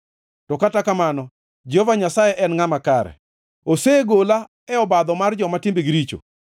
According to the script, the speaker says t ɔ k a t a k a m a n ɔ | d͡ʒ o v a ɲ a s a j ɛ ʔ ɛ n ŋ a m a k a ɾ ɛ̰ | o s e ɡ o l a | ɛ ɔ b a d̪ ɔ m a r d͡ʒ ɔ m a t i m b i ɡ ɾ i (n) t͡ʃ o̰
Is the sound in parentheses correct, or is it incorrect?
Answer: incorrect: none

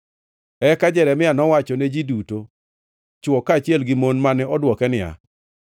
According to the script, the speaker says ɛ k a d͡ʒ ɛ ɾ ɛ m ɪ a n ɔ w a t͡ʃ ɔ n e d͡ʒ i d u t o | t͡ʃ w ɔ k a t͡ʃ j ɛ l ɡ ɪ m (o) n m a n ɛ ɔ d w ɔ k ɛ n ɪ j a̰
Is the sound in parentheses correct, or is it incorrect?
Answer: correct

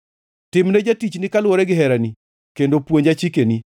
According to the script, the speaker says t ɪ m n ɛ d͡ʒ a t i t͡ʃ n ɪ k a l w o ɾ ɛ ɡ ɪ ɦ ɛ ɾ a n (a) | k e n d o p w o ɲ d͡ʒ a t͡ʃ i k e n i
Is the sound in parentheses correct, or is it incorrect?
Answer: incorrect: i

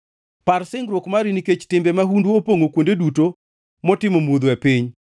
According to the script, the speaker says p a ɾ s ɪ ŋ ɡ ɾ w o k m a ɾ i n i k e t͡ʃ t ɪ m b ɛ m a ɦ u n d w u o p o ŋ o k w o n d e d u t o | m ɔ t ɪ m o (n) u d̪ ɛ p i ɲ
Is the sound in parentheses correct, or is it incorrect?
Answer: incorrect: m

